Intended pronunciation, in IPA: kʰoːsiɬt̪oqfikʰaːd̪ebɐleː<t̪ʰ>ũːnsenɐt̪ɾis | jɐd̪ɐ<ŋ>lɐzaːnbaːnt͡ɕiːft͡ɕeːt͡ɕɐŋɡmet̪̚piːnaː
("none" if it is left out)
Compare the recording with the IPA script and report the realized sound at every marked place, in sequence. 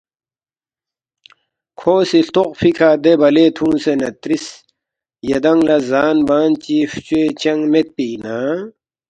t̪ʰ, ŋ

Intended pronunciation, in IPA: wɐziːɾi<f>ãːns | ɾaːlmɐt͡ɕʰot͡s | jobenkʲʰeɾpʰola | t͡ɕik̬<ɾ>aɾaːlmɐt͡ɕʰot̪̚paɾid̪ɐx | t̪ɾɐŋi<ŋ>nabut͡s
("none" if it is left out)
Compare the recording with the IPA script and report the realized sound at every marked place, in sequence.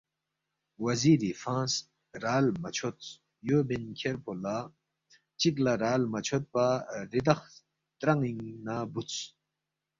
f, l, ŋ

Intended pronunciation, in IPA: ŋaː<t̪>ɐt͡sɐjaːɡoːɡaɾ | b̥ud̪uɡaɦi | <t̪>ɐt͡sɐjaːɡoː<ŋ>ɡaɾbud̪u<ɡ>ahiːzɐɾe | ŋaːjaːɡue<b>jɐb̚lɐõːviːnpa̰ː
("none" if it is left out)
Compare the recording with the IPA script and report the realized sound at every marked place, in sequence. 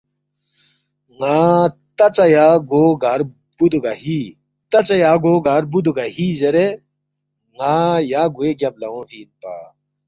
t̪, t̪, none, ɡ, ɡ

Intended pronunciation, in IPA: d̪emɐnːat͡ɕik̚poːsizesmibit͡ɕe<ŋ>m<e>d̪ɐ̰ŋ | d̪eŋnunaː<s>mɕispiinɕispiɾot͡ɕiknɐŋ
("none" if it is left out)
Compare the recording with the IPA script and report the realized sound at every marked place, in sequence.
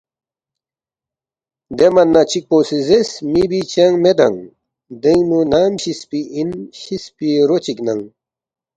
ŋ, e, none

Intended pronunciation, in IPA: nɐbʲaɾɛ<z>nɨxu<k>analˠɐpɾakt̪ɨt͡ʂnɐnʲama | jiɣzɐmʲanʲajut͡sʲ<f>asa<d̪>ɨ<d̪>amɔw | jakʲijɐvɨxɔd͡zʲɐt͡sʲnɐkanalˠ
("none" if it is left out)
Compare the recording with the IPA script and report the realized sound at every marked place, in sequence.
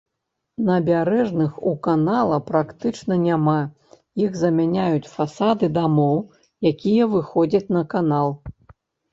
ʐ, k, f, d̪, d̪

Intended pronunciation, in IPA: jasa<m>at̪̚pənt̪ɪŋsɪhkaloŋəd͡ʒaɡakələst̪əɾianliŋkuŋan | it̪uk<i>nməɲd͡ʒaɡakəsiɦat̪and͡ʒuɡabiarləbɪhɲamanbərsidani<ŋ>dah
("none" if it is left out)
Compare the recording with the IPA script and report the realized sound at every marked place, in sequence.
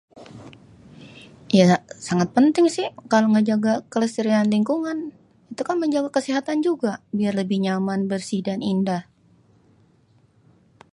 ŋ, a, n

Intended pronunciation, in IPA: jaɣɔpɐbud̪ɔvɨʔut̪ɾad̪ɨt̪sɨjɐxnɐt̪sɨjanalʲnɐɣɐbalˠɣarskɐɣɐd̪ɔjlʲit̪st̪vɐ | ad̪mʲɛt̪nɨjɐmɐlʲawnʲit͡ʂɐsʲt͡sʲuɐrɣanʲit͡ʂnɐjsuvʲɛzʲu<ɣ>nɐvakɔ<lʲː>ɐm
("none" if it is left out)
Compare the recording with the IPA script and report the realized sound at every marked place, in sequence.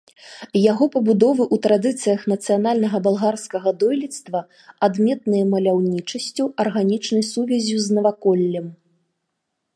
z, lʲː

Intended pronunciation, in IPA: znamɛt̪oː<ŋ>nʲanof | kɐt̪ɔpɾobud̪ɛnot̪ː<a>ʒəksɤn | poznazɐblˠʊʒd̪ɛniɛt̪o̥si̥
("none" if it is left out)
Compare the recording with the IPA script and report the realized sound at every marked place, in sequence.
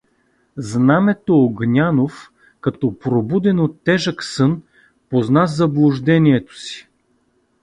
ɡ, ɛ

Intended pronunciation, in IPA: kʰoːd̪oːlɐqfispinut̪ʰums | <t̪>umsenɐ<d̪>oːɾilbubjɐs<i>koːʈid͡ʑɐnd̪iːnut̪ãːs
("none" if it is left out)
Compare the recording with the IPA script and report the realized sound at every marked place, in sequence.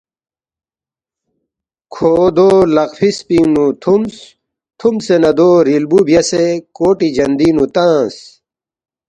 t̪ʰ, d̪, e

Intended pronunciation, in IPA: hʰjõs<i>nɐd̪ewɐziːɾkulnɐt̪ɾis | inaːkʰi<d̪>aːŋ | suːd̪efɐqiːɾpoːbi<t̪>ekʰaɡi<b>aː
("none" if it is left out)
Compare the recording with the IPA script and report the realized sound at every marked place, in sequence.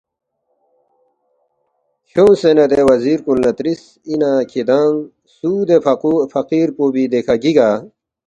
e, d̪, d̪, ɡ

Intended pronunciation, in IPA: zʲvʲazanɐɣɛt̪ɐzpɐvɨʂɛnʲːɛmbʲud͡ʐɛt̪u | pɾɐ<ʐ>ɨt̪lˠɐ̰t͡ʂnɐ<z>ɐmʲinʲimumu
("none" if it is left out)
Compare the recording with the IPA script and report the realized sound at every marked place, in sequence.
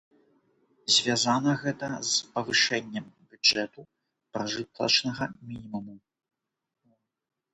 ʐ, ɣ

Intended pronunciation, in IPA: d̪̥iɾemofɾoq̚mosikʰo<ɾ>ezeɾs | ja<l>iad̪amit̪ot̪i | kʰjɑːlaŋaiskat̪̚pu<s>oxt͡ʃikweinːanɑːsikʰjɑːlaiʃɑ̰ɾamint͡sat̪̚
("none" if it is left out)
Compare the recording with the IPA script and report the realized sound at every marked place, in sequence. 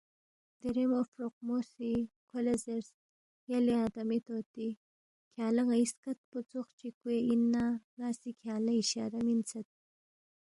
l, l, t͡s

